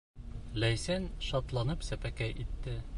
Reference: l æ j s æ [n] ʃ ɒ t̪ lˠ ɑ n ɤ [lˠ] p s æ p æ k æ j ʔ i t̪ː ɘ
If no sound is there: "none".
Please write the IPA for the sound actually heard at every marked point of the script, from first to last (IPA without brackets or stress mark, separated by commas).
n, none